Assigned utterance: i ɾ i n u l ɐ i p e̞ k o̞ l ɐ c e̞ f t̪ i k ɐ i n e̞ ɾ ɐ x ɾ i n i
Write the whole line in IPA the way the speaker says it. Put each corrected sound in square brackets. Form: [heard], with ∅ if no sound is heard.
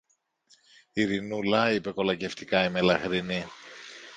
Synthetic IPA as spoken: i ɾ i n u l ɐ i p e̞ k o̞ l ɐ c e̞ f t̪ i k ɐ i [m] e̞ [l] ɐ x ɾ i n i